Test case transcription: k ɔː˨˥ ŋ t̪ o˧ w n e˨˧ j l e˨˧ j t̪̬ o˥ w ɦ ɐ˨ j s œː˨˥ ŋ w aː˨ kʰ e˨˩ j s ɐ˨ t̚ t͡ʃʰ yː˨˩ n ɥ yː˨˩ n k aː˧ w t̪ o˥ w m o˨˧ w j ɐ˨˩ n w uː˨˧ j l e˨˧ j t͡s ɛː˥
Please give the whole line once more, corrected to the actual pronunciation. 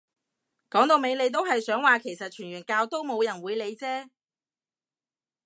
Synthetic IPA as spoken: k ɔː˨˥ ŋ t̪ o˧ w m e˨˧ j l e˨˧ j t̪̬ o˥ w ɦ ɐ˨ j s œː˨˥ ŋ w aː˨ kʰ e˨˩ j s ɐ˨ t̚ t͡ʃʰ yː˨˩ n ɥ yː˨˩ n k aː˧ w t̪ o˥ w m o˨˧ w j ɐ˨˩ n w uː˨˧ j l e˨˧ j t͡s ɛː˥